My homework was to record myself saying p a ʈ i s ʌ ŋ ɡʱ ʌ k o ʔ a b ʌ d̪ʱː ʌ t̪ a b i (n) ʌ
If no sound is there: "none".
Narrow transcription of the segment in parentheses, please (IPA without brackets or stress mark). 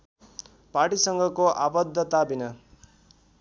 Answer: n